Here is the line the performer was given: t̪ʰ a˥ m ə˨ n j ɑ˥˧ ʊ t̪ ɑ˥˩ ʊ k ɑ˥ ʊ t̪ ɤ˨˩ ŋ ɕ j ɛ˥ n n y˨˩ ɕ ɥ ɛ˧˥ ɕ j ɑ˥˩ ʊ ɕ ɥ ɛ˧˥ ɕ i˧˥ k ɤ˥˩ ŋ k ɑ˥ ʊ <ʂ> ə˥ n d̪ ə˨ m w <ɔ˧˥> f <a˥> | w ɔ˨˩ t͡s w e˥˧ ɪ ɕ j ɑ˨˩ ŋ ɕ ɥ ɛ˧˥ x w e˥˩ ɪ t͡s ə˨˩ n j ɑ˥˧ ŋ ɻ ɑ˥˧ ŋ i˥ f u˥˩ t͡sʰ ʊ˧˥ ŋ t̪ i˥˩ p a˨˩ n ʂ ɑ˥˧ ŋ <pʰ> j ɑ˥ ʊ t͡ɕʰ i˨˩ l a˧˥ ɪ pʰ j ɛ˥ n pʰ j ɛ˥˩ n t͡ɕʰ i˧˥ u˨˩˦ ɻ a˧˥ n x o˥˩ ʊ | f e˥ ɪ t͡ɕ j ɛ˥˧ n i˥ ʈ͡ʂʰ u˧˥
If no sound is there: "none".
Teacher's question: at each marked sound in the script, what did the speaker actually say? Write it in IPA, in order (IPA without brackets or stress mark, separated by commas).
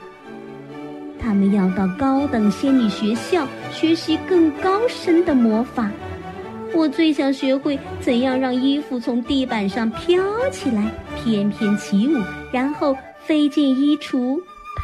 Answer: ʂ, ɔ˧˥, a˨˩˦, pʰ